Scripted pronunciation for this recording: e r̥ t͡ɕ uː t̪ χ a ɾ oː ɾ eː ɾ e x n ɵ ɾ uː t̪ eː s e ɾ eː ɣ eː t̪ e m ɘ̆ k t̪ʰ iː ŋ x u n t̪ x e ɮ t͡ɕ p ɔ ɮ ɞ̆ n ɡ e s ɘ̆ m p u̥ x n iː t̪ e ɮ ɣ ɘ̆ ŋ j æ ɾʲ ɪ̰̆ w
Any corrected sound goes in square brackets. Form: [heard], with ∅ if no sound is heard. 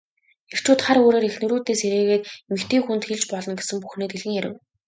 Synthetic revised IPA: e r̥ t͡ɕ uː t̪ χ a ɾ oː ɾ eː ɾ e x n ɵ ɾ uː t̪ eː s e ɾ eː ɣ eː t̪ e m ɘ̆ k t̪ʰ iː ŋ x u n t̪ x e ɮ t͡ɕ p ɔ ɮ ɞ̆ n ɡ e s ɘ̆ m p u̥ x n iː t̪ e ɮ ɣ ɘ̆ ŋ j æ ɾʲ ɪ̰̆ w